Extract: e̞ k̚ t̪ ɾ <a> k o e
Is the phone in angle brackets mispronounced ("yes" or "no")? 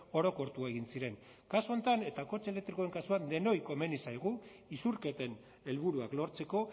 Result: yes